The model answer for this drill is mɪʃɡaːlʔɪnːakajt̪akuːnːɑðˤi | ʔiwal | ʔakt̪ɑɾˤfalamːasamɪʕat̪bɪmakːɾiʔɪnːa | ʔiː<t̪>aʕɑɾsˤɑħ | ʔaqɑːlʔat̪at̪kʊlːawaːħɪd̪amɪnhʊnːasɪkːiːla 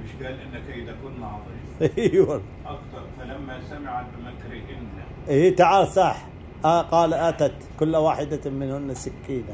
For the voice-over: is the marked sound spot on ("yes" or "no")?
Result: yes